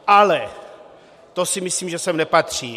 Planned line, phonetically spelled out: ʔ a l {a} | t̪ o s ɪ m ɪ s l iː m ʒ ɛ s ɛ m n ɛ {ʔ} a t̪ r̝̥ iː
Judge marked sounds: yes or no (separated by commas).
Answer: no, no